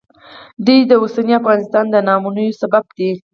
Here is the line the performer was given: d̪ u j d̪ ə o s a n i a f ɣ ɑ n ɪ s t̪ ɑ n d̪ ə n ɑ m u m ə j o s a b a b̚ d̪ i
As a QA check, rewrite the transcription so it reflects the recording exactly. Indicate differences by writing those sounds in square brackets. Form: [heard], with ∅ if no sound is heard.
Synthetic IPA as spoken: d̪ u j d̪ ə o s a n i a f ɣ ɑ n ɪ s t̪ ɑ n d̪ ə n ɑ m u [n] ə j o s a b a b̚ d̪ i